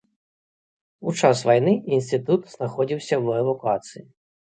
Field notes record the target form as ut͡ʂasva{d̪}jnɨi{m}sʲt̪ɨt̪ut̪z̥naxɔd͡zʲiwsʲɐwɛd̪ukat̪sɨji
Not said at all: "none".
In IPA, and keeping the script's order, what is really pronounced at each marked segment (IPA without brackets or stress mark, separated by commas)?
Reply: none, n